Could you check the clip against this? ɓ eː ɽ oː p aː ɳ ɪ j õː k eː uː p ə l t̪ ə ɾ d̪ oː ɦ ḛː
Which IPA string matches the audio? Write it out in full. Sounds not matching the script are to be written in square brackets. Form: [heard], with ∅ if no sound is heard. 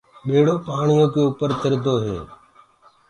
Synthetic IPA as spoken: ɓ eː ɽ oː p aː ɳ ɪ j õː k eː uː p ə [ɾ] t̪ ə ɾ d̪ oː ɦ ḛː